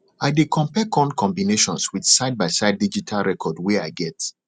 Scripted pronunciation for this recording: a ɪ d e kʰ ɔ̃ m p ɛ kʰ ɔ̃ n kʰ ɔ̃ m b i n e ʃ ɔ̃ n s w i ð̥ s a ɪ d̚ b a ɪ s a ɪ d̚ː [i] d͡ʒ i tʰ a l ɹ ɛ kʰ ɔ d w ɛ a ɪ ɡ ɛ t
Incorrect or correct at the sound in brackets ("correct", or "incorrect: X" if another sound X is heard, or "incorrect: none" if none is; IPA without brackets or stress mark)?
correct